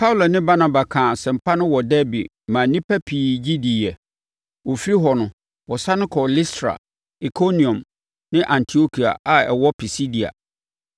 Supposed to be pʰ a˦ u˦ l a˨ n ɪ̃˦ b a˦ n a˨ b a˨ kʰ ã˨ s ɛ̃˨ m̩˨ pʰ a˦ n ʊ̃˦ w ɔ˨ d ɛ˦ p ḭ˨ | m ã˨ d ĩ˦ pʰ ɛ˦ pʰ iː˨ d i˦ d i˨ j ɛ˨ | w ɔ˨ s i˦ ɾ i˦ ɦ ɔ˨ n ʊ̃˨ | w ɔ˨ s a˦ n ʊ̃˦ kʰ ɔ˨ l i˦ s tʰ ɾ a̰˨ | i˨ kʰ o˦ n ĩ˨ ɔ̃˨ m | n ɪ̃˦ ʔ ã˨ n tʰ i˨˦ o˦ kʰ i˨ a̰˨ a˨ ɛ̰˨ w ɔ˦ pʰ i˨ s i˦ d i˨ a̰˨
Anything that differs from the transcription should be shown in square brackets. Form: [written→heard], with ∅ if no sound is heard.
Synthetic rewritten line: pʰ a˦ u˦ l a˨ n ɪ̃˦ b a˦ n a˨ b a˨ kʰ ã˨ s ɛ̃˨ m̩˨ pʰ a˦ n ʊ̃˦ w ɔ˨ d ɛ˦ [p→b] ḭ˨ | m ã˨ [d→n] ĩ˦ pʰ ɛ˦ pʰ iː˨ [d→d͡ʑ] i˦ d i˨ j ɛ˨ | w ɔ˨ [s→f] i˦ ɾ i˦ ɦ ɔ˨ n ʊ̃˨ | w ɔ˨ s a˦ n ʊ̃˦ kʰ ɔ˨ l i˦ s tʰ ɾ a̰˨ | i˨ kʰ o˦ n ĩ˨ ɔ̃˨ m | n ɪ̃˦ ʔ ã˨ n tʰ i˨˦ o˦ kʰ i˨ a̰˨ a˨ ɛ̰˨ w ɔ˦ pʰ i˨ s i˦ d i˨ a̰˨